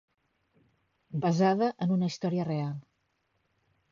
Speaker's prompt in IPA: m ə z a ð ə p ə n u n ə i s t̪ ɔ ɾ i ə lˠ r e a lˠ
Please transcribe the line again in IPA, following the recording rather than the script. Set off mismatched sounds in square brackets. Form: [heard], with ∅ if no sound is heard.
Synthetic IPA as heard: [b] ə z a ð ə [ʔ] ə n u n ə i s t̪ ɔ ɾ i ə [∅] r e a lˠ